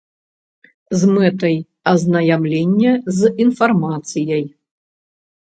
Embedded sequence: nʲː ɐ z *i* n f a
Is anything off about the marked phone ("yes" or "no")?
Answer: no